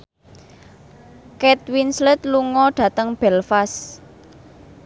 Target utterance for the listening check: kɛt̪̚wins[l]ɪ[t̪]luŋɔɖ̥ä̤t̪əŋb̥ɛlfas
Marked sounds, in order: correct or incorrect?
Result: correct, correct

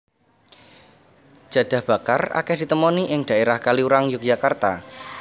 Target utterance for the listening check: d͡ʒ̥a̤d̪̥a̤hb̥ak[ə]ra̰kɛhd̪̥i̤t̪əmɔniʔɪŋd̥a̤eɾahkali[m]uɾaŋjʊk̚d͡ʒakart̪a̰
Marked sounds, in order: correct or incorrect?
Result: incorrect: a, incorrect: none

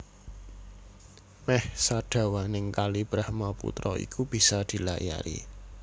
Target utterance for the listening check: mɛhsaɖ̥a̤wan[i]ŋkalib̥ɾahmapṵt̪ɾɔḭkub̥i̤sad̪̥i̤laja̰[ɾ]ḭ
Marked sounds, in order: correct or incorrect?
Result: incorrect: ɪ, correct

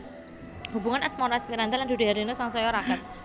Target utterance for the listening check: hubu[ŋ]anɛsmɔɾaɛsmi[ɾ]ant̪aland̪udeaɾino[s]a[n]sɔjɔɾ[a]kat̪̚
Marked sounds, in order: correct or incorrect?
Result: correct, correct, correct, incorrect: ŋ, correct

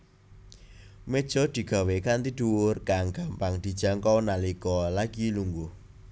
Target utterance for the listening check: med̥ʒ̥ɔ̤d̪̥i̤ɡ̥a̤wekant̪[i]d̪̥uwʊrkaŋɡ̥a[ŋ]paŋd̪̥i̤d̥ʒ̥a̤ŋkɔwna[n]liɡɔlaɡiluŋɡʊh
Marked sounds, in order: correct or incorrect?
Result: correct, incorrect: m, incorrect: none

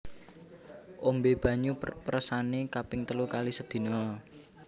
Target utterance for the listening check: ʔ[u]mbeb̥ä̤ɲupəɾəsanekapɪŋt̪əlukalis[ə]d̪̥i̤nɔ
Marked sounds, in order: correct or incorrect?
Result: incorrect: o, correct

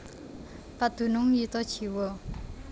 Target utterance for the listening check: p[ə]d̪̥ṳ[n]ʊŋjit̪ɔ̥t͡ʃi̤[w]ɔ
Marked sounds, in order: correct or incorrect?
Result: incorrect: a, correct, correct

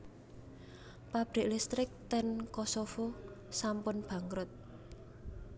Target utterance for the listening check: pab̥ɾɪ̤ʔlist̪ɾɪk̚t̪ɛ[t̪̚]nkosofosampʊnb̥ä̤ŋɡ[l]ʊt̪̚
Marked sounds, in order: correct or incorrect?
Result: incorrect: none, incorrect: ɾ

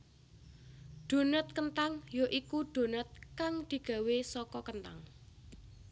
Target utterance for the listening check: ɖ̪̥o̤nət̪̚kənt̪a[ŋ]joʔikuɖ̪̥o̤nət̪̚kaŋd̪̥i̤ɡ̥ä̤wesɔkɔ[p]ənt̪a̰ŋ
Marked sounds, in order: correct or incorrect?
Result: correct, incorrect: k

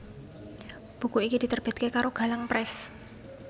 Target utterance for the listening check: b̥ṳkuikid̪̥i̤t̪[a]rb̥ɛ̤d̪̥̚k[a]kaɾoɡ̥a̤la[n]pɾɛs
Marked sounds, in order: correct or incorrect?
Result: incorrect: ə, incorrect: e, incorrect: ŋ

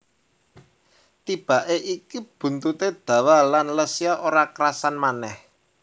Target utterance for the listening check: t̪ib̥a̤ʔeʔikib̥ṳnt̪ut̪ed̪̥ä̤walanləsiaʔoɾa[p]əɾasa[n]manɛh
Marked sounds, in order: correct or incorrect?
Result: incorrect: k, correct

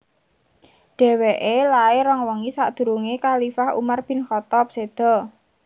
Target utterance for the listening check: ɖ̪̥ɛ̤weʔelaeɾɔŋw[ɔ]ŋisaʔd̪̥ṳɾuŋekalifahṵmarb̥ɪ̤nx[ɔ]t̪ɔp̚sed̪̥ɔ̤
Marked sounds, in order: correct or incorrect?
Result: correct, correct

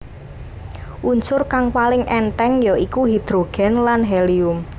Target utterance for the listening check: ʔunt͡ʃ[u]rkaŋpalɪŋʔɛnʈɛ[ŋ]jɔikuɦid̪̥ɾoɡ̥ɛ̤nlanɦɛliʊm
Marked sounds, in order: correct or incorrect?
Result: incorrect: ʊ, correct

